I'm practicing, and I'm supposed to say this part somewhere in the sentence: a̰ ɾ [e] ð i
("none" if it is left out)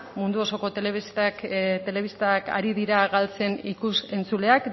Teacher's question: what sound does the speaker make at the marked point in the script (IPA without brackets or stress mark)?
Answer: i